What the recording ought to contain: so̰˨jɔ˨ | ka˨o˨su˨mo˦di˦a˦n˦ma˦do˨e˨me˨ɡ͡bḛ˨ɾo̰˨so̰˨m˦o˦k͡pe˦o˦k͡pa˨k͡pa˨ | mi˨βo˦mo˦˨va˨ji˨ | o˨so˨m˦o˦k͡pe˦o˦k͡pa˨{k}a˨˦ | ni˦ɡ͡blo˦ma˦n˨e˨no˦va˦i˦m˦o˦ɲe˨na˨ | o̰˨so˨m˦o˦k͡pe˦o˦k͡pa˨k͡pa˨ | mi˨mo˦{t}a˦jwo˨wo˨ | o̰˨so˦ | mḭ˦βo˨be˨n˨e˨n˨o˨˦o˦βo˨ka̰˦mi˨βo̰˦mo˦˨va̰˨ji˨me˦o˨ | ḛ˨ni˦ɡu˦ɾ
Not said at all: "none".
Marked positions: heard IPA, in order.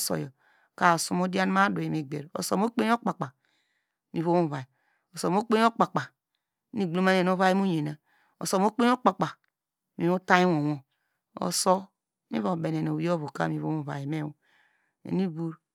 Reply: k͡p, t

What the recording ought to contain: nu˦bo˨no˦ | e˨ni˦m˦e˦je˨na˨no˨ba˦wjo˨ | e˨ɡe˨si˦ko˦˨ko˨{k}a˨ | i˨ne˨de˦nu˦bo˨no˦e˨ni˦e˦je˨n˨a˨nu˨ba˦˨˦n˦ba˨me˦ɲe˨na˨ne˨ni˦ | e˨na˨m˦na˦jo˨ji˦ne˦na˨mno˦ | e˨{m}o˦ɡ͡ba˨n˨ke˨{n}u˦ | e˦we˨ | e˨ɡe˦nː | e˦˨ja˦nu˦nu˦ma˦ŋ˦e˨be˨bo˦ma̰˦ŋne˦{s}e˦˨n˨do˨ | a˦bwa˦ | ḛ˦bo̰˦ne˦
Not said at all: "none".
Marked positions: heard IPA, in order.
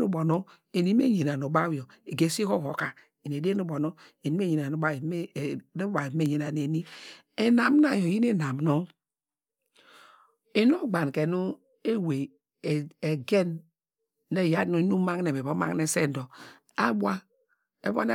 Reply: k, n, n, s

